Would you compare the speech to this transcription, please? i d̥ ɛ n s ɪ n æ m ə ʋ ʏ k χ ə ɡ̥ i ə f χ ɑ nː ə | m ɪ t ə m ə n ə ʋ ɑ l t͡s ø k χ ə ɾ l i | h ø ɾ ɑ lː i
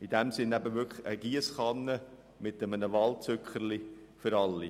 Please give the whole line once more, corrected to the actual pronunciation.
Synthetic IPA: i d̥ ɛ m s ɪ n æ b ə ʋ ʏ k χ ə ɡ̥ i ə s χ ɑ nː ə | m ɪ t ə m ə n ə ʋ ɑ l t͡s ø k χ ə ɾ l i | f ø ɾ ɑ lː i